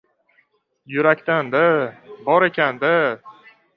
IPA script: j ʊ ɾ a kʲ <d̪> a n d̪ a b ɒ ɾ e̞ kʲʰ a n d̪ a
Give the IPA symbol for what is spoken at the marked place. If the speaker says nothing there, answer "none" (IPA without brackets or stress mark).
t̪